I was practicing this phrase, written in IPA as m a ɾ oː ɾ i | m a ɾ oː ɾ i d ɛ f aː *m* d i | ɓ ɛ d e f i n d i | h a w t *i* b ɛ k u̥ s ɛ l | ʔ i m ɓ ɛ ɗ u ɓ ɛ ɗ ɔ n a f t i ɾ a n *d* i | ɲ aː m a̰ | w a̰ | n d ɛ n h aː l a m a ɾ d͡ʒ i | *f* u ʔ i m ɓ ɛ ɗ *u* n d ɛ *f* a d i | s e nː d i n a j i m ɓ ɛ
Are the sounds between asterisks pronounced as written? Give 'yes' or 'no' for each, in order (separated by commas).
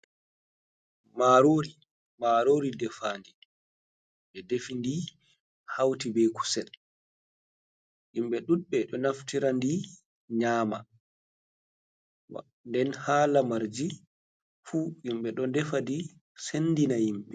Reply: no, yes, yes, yes, no, yes